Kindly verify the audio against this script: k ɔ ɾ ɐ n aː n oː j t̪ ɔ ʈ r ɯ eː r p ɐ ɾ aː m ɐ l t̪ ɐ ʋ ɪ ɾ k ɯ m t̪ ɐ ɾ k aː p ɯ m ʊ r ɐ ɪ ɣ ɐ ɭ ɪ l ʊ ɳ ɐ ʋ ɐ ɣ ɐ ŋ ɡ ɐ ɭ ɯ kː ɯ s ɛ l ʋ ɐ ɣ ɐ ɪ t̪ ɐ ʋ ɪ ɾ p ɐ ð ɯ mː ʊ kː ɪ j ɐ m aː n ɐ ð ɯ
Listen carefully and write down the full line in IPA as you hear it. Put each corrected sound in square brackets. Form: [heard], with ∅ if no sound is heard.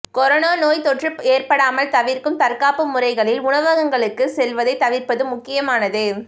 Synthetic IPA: k ɔ ɾ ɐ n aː n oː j t̪ ɔ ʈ r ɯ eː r p ɐ [ɽ] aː m ɐ l t̪ ɐ ʋ ɪ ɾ k ɯ m t̪ ɐ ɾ k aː p ɯ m ʊ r ɐ ɪ ɣ ɐ ɭ ɪ l ʊ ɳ ɐ ʋ ɐ ɣ ɐ ŋ ɡ ɐ ɭ ɯ kː ɯ s ɛ l ʋ ɐ [ð] ɐ ɪ t̪ ɐ ʋ ɪ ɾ p ɐ ð ɯ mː ʊ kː ɪ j ɐ m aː n ɐ ð ɯ

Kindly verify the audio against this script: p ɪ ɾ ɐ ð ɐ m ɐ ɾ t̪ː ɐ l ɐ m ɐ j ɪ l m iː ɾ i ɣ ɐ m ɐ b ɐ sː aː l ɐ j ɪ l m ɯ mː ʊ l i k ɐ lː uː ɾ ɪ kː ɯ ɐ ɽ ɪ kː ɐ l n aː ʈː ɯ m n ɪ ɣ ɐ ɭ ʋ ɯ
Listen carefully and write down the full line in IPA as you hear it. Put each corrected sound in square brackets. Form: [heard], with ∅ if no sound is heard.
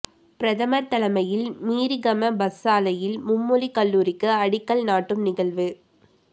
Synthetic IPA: p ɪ ɾ ɐ ð ɐ m ɐ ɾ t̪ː ɐ l ɐ m ɐ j ɪ l m iː ɾ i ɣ ɐ m ɐ b ɐ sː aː l ɐ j ɪ l m [ʊ] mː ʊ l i k ɐ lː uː ɾ ɪ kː ɯ ɐ ɽ ɪ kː ɐ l n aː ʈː ɯ m n ɪ ɣ ɐ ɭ ʋ ɯ

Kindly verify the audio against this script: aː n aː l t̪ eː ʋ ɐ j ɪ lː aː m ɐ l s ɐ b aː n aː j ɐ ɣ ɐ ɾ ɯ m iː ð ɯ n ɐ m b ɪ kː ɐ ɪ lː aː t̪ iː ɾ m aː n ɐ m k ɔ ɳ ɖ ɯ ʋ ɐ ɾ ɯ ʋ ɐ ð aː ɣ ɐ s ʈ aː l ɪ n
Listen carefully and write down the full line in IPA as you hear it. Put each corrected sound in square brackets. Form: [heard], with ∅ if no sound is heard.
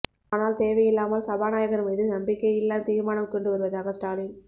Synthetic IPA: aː n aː l t̪ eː ʋ ɐ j ɪ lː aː m ɐ l s ɐ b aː n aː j ɐ ɣ ɐ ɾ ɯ m iː ð ɯ n ɐ m b ɪ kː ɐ ɪ lː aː t̪ iː ɾ m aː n ɐ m k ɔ ɳ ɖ ɯ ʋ ɐ ɾ ɯ ʋ ɐ ð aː ɣ ɐ s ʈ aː l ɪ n

